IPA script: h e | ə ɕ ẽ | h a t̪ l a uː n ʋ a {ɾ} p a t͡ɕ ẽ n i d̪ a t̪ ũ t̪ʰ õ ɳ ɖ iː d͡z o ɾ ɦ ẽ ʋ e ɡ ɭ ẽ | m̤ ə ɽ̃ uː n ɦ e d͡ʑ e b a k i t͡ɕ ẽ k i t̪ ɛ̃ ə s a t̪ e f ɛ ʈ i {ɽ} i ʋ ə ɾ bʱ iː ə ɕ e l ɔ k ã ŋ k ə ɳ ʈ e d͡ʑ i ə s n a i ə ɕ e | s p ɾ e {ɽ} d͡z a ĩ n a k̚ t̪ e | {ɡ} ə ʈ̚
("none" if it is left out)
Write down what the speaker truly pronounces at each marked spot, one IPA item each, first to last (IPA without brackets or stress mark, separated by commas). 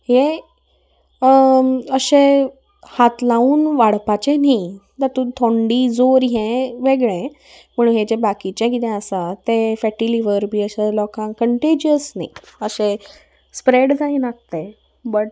ɽ, l, ɽ, b